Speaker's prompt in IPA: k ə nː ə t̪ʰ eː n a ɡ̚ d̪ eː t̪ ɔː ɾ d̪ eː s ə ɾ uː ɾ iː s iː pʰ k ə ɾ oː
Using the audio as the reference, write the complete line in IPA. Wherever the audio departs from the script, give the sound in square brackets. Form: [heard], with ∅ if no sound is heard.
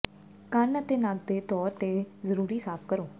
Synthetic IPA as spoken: k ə [n] ə [t̪] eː n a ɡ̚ d̪ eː t̪ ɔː ɾ [t̪] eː [z] ə ɾ uː ɾ iː s [aː] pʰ k ə ɾ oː